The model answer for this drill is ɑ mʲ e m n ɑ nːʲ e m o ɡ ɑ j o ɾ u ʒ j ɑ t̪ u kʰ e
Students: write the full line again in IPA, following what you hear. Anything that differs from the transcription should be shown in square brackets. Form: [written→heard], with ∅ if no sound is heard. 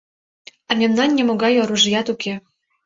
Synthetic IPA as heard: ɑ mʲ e m n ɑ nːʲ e m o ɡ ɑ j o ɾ u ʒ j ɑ t̪ u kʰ e